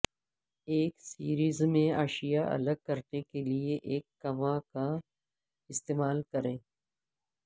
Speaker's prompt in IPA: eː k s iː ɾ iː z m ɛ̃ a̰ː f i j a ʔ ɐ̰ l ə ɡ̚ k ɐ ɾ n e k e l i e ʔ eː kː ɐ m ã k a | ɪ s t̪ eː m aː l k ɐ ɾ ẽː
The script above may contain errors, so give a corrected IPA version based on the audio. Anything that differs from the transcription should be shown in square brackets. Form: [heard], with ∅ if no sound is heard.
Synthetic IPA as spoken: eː k s iː ɾ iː z m [ẽ] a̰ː [ʃ] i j a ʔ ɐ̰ l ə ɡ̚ k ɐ ɾ n e k e l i e ʔ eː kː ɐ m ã k a | ɪ s t̪ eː m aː l k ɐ ɾ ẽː